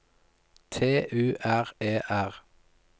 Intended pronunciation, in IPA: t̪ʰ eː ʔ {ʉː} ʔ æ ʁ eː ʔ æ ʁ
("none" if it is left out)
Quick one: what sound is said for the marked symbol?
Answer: ʉː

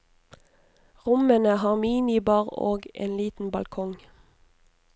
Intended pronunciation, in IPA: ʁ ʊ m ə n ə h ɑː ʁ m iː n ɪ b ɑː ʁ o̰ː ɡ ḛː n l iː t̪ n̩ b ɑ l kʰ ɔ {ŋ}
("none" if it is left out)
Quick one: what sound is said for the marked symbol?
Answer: ŋ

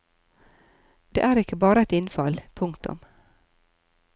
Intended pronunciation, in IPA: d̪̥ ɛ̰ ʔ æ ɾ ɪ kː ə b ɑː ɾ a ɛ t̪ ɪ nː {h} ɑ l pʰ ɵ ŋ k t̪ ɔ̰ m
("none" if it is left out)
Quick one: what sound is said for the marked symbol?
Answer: f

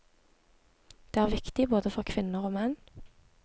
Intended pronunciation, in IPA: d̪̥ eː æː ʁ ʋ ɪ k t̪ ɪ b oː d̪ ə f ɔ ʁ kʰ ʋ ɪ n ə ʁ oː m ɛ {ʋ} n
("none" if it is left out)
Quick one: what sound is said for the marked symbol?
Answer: none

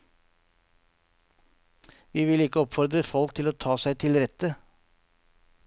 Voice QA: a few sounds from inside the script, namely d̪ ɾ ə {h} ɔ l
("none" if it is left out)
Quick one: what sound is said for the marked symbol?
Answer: f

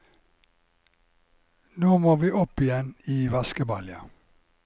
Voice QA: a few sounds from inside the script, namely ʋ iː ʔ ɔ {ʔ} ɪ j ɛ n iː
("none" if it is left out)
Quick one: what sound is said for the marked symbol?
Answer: p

